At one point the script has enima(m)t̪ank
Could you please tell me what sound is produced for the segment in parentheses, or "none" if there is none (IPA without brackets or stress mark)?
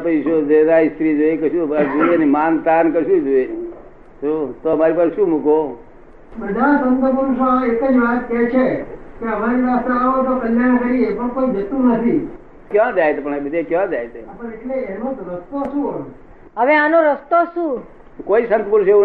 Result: n